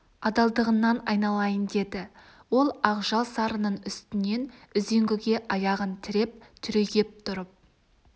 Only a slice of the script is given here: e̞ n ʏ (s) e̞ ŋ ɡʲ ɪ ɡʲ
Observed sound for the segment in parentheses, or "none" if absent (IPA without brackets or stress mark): z